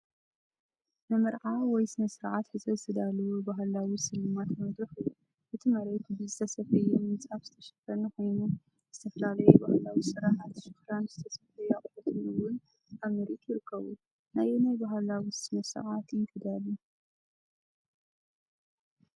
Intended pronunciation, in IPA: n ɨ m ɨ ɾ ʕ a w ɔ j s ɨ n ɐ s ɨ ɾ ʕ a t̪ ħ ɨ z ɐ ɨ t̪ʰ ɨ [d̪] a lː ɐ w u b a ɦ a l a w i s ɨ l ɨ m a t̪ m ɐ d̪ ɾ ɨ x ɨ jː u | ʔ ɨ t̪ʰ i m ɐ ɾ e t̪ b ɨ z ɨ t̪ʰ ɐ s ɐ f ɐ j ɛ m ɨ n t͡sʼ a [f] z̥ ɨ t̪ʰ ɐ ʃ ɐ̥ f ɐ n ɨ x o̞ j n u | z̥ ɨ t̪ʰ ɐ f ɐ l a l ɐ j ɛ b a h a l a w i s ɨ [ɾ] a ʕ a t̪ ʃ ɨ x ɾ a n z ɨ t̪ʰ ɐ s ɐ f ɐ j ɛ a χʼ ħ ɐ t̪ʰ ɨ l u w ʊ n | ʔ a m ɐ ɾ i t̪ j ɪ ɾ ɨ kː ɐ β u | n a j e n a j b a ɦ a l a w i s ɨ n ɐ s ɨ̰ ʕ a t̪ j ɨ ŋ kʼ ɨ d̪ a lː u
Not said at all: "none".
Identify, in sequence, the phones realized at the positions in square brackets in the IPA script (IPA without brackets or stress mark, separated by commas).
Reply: d̪, f, ɾ